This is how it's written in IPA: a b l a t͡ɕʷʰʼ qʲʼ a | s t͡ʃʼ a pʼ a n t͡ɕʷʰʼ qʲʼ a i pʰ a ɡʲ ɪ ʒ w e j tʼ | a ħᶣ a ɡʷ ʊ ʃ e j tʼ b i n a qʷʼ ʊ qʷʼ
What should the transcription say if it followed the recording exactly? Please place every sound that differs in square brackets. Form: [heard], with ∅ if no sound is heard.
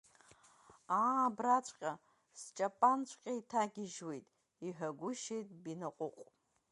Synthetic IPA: a b [r] a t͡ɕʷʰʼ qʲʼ a | s t͡ʃʼ a pʼ a n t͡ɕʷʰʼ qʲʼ a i [tʰ] a ɡʲ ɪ ʒ w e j tʼ | [i] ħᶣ a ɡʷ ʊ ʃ e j tʼ b i n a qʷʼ ʊ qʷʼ